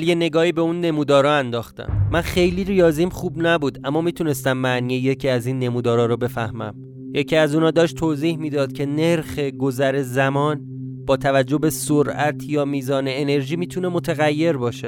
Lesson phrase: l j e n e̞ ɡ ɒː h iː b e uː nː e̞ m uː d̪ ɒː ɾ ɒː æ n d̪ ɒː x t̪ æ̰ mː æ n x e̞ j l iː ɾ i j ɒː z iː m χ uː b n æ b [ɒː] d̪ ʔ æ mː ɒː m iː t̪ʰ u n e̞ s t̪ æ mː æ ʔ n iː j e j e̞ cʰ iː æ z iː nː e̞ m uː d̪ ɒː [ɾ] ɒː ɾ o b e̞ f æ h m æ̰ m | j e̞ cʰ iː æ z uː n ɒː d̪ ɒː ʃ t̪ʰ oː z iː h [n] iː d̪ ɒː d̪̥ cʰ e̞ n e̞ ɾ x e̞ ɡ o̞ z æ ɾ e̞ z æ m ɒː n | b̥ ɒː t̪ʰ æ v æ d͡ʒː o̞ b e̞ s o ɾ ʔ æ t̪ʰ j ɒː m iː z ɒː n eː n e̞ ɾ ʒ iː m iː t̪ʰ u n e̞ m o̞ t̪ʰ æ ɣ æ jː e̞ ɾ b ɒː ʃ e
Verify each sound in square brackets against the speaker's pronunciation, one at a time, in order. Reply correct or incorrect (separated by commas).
incorrect, correct, incorrect